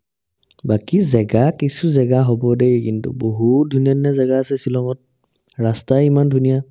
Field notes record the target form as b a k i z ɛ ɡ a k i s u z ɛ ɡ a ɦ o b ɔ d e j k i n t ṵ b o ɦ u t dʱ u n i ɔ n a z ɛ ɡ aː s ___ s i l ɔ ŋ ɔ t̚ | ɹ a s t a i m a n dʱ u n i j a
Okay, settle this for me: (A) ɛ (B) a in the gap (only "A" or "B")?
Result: A